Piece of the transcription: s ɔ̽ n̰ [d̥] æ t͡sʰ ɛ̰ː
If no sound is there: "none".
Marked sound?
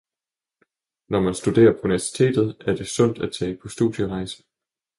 d̥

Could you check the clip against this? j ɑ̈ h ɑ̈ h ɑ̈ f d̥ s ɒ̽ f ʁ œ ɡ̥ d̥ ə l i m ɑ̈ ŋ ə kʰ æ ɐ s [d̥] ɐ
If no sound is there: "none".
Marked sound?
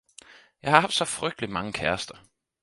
d̥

